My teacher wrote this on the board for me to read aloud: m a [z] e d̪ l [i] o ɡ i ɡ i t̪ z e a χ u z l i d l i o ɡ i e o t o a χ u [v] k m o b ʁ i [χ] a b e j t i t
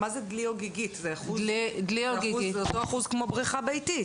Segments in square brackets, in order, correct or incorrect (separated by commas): correct, correct, incorrect, correct